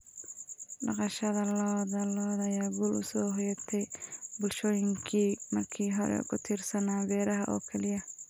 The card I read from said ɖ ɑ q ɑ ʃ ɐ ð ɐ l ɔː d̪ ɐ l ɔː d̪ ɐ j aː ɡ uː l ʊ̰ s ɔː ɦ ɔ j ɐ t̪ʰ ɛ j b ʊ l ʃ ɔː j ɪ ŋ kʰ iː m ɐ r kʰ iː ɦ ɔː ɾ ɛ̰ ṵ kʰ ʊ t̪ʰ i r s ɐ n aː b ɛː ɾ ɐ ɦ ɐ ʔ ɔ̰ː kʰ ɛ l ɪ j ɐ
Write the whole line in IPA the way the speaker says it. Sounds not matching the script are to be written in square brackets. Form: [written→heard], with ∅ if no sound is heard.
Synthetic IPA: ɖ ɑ q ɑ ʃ ɐ ð ɐ l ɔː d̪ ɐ l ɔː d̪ ɐ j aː ɡ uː l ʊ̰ s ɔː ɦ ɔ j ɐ t̪ʰ ɛ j b ʊ l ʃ ɔː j ɪ ŋ kʰ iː m ɐ r kʰ iː ɦ [ɔː→ɔ] ɾ ɛ̰ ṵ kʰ ʊ t̪ʰ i r s ɐ n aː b ɛː ɾ ɐ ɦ ɐ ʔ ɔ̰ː kʰ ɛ l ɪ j ɐ